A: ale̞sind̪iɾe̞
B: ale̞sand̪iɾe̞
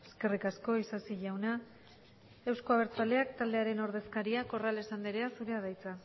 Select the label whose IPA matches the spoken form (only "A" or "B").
B